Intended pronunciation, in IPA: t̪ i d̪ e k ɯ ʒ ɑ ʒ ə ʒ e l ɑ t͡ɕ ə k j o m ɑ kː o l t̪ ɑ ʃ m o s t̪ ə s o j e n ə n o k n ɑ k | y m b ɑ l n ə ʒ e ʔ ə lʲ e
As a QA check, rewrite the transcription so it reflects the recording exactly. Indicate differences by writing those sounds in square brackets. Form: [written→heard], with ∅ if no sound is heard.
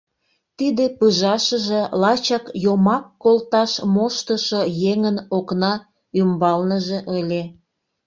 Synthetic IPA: t̪ i d̪ e [k→p] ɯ ʒ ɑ [ʒ→ʃ] ə ʒ e l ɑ t͡ɕ [ə→ɑ] k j o m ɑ kː o l t̪ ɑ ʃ m o [s→ʃ] t̪ ə [s→ʃ] o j e [n→ŋ] ə n o k n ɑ [k→∅] | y m b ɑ l n ə ʒ e ʔ ə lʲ e